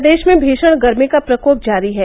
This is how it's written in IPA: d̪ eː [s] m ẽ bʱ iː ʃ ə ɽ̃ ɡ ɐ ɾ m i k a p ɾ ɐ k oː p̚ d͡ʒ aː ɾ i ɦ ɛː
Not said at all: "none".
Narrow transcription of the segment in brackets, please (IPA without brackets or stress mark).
ʃ